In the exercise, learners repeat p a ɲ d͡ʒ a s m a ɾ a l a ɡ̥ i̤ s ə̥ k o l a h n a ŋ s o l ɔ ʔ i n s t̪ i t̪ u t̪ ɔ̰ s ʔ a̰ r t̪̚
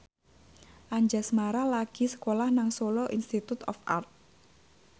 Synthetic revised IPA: ʔ a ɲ d͡ʒ a s m a ɾ a l a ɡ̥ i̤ s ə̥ k o l a h n a ŋ s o l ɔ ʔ i n s t̪ i t̪ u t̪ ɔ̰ f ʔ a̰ r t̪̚